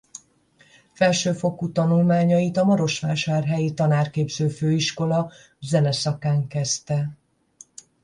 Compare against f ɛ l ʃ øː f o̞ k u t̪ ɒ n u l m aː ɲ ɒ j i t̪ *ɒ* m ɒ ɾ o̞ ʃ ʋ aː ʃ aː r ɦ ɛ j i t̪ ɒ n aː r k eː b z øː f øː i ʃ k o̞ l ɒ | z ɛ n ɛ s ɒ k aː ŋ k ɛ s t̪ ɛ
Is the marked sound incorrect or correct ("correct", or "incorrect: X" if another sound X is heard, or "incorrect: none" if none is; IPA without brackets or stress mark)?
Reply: correct